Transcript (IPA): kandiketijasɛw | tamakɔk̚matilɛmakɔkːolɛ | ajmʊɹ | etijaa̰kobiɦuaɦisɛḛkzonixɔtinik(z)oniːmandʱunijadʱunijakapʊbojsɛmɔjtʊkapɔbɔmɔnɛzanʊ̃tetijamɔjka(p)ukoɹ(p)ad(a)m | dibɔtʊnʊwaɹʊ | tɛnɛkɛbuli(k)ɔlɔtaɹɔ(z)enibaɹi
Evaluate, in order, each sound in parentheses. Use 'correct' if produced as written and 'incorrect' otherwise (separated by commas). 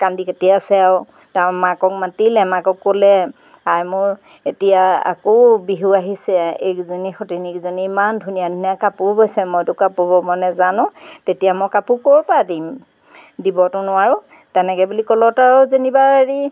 correct, correct, correct, incorrect, correct, correct